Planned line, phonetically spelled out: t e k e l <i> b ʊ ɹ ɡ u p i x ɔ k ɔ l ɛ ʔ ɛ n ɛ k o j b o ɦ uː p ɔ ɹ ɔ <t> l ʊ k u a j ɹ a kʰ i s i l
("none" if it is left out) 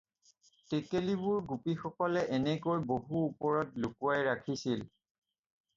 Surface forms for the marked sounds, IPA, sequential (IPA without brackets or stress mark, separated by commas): i, t